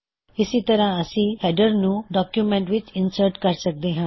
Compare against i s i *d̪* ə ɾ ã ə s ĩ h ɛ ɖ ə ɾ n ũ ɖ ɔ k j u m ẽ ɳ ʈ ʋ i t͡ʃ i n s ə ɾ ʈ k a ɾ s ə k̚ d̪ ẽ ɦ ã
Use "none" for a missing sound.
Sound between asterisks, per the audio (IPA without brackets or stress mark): t̪